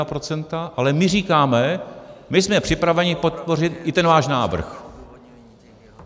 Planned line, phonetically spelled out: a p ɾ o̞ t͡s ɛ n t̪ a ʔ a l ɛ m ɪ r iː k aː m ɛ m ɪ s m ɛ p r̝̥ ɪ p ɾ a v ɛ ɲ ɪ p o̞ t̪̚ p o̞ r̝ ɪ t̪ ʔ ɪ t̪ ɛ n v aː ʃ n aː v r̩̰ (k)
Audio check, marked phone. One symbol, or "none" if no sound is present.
x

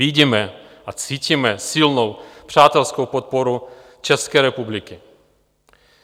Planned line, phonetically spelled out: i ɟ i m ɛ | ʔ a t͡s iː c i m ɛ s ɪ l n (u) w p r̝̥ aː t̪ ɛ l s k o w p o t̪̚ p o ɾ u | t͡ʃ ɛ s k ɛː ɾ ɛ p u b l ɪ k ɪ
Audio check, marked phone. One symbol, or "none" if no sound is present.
o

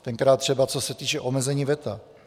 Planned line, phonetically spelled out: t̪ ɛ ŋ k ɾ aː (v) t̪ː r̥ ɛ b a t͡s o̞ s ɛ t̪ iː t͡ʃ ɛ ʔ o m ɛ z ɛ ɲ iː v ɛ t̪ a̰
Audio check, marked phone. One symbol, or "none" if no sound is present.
none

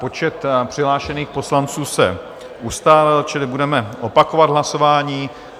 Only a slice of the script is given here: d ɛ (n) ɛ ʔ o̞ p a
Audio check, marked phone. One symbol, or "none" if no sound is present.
m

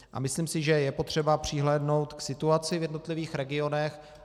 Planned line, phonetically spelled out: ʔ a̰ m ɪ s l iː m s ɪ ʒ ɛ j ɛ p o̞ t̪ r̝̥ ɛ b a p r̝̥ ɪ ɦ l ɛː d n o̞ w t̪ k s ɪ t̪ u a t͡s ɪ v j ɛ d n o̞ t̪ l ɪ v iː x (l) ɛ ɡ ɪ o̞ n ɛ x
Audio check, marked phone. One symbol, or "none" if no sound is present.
ɾ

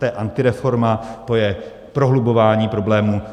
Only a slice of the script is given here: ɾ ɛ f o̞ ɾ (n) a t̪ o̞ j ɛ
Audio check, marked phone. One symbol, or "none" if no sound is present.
m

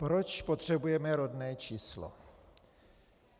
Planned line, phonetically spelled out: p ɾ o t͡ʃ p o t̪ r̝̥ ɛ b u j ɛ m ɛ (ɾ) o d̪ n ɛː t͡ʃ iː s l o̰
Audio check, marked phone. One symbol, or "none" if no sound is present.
ɾ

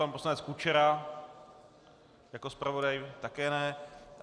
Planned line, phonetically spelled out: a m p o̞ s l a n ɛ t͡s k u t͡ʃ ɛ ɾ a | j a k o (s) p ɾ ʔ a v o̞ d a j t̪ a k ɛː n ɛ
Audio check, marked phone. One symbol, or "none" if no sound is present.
s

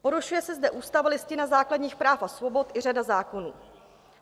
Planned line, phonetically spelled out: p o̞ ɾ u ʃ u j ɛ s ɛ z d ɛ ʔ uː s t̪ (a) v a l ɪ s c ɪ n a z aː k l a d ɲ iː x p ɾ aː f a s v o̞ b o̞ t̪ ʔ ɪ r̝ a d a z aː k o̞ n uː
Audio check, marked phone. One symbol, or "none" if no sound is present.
a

